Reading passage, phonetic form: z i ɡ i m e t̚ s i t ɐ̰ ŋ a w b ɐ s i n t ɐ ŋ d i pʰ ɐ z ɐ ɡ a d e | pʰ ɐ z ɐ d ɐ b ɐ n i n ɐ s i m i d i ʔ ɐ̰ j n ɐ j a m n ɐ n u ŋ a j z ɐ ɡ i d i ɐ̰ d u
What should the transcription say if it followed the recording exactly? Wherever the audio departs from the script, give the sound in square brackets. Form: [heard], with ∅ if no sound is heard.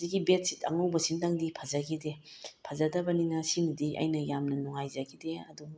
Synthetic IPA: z i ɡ i [b] e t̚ s i t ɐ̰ ŋ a w b ɐ s i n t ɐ ŋ d i pʰ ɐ z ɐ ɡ [i] d e | pʰ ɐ z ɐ d ɐ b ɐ n i n ɐ s i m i d i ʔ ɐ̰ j n ɐ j a m n ɐ n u ŋ a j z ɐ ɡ i d [e] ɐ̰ d u